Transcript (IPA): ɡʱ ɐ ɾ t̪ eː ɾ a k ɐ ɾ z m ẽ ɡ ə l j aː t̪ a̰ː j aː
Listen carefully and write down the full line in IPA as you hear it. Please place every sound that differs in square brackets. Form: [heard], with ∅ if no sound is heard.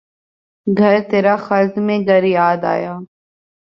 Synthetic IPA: ɡʱ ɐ ɾ t̪ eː ɾ a [x] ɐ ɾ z m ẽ ɡ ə [ɾ] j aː [d̪] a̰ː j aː